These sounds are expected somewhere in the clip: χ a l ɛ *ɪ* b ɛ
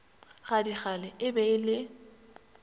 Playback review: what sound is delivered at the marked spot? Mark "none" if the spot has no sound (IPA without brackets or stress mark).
ɪ